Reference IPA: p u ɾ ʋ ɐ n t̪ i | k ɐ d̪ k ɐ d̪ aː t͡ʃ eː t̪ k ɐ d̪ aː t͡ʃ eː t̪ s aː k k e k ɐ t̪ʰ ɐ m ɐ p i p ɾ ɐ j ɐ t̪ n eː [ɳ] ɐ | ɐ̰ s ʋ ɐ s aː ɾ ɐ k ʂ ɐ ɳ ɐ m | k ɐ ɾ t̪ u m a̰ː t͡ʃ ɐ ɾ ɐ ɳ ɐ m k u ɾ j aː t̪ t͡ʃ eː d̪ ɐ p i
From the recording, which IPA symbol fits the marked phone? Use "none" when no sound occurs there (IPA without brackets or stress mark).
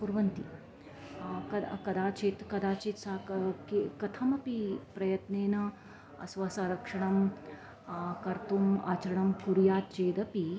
n